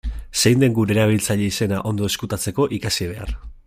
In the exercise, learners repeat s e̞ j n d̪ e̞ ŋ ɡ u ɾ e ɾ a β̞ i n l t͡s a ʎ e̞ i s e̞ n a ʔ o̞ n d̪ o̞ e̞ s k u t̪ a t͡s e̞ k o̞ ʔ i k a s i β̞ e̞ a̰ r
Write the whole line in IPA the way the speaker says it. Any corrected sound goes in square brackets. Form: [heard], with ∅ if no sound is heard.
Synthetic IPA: s e̞ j n d̪ e̞ ŋ ɡ u ɾ e ɾ a β̞ i [∅] l t͡s a ʎ e̞ i s e̞ n a ʔ o̞ n d̪ o̞ e̞ s k u t̪ a t͡s e̞ k o̞ ʔ i k a s i β̞ e̞ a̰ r